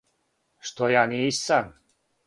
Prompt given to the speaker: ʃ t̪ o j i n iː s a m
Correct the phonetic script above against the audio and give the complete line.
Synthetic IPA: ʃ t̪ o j a n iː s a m

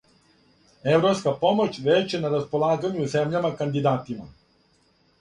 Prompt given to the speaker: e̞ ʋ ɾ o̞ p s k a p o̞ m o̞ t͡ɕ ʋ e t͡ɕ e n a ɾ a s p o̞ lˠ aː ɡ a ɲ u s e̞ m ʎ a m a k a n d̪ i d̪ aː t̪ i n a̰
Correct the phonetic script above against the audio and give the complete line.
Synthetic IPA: e̞ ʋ ɾ o̞ p s k a p o̞ m o̞ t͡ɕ ʋ e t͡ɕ e n a ɾ a s p o̞ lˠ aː ɡ a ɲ u z e̞ m ʎ a m a k a n d̪ i d̪ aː t̪ i m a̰

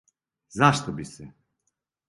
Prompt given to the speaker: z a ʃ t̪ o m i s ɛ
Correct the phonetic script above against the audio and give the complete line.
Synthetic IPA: z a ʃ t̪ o b i s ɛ

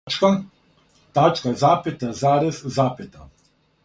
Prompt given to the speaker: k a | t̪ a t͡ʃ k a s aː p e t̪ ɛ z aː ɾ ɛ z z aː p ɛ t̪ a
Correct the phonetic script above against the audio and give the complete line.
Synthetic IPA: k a | t̪ a t͡ʃ k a z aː p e t̪ a z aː ɾ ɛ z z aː p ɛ t̪ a

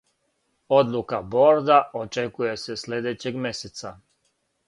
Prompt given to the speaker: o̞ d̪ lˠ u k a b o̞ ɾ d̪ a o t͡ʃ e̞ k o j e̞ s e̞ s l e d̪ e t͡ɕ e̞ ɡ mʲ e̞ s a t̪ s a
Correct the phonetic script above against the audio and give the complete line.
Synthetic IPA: o̞ d̪ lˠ u k a b o̞ ɾ d̪ a o t͡ʃ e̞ k u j e̞ s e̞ s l e d̪ e t͡ɕ e̞ ɡ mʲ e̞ s e t̪ s a

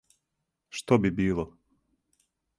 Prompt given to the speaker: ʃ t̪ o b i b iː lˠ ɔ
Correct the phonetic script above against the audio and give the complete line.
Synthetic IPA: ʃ t̪ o b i b iː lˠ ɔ

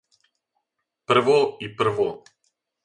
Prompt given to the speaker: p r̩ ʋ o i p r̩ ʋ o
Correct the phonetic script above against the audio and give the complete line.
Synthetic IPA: p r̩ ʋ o i p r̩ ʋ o

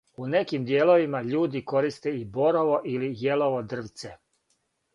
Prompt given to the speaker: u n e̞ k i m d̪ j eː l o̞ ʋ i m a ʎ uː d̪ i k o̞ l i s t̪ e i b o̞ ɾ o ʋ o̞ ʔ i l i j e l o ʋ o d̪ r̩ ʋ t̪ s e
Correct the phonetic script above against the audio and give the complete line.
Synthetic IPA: u n e̞ k i m d̪ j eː l o̞ ʋ i m a ʎ uː d̪ i k o̞ ɾ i s t̪ e i b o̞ ɾ o ʋ o̞ ʔ i l i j e l o ʋ o d̪ r̩ ʋ t̪ s e

